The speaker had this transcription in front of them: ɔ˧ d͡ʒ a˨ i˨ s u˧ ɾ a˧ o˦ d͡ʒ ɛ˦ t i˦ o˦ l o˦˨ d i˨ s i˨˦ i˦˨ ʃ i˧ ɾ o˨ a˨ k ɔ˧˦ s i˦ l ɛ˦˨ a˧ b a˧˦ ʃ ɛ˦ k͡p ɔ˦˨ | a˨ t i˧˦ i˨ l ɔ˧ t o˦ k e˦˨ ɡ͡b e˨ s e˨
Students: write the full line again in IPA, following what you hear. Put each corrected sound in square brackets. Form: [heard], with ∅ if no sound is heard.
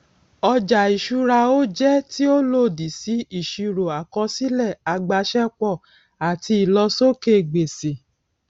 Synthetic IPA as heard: ɔ˧ d͡ʒ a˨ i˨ [ʃ] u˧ ɾ a˧ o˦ d͡ʒ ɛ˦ t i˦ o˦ l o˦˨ d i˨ s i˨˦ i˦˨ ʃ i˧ ɾ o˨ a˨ k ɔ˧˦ s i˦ l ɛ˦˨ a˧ [ɡ͡b] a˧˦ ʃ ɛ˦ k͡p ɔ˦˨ | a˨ t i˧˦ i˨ l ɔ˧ [s] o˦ k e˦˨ ɡ͡b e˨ s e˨